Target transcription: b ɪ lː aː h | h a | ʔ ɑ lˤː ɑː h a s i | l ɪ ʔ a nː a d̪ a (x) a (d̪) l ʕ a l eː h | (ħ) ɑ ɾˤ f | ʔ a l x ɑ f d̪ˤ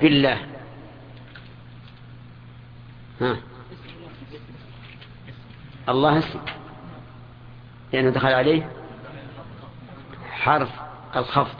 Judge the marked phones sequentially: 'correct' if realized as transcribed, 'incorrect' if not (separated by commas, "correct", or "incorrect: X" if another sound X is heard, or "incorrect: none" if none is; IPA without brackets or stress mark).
correct, incorrect: none, correct